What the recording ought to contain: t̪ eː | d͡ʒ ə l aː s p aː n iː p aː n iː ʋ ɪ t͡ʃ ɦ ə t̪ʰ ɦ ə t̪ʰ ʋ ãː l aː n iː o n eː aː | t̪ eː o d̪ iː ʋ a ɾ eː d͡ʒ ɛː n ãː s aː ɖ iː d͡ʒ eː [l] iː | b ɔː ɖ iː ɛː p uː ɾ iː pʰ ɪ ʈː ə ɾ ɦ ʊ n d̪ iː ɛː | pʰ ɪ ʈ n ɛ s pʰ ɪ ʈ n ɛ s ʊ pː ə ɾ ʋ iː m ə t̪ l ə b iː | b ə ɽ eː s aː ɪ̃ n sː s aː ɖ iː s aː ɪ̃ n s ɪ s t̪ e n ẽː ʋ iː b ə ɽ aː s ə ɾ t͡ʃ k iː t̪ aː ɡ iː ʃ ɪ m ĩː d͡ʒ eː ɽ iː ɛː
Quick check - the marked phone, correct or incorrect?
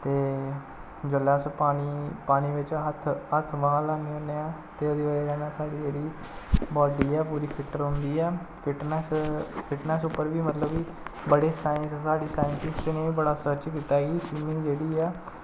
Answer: incorrect